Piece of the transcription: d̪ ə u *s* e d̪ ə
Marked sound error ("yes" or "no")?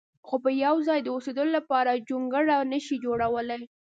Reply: no